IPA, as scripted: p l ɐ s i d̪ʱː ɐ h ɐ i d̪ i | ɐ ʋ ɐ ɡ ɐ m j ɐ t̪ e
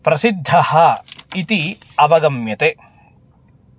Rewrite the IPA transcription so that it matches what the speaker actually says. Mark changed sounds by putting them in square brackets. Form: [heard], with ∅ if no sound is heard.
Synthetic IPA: p [ɾ] ɐ s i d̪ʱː ɐ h ɐ i [t̪] i | ɐ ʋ ɐ ɡ ɐ m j ɐ t̪ e